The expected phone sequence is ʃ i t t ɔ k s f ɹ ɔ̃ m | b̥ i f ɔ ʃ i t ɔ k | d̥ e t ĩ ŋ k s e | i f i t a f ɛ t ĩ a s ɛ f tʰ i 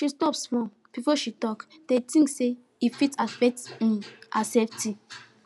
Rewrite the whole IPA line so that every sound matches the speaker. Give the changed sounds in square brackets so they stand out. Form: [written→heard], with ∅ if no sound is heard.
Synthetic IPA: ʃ i [t→s] t ɔ [k→p] s f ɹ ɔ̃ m | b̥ i f ɔ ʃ i t ɔ k | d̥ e t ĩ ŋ k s e | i f i t a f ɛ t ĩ a s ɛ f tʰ i